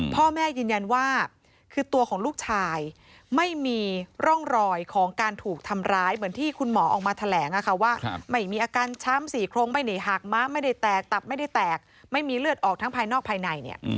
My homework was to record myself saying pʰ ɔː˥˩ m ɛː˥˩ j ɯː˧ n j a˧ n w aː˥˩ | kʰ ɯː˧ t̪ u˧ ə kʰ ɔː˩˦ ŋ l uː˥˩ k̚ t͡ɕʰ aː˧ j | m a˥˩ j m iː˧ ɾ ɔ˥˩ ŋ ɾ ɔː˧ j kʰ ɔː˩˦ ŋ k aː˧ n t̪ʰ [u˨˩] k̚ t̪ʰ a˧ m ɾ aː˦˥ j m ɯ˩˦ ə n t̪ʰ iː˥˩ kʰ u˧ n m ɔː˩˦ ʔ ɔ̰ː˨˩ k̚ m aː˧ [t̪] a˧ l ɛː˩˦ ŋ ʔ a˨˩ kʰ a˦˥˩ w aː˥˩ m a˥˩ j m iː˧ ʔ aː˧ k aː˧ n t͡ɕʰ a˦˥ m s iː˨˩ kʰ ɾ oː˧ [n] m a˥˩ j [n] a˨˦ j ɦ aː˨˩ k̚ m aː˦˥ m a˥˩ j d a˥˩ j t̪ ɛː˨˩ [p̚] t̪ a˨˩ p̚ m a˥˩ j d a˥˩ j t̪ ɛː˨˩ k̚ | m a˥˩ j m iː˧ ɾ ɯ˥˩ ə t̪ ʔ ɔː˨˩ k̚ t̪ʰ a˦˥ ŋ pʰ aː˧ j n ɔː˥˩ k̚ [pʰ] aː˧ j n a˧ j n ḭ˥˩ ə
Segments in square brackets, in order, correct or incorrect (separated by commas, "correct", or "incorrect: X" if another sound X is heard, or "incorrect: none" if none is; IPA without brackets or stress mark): incorrect: uː˨˩, incorrect: t̪ʰ, incorrect: ŋ, correct, incorrect: k̚, correct